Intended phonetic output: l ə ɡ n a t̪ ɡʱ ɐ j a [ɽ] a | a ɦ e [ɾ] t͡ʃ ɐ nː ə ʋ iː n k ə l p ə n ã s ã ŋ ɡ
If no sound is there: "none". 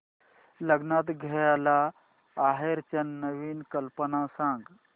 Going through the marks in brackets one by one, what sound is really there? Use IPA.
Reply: l, ɾ

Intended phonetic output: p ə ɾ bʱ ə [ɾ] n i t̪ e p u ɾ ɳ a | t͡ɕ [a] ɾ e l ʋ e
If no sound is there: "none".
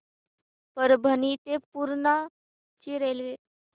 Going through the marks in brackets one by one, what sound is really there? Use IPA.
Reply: none, i

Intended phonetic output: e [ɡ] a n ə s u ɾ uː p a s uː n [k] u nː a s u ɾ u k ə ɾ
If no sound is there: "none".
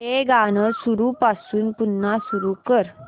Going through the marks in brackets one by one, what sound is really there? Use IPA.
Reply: ɡ, p

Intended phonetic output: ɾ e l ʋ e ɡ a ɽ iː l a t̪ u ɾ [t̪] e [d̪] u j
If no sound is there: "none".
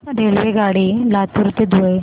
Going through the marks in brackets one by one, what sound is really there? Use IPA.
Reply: t̪, d̪

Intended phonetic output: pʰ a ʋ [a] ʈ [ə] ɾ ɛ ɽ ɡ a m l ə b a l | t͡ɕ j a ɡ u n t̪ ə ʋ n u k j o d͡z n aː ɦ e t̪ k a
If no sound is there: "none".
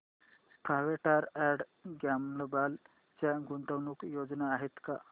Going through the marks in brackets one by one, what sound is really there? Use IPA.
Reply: e, a

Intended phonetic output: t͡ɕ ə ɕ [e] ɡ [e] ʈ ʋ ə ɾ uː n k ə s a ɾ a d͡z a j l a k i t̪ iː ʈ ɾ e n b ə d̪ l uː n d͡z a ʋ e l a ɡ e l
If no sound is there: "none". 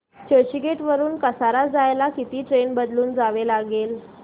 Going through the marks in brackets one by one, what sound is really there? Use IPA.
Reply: i, e

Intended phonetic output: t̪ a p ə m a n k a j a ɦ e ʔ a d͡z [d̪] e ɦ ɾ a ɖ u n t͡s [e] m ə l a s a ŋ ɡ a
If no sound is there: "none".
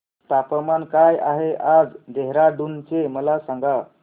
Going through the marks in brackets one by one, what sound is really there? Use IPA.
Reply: d̪, e

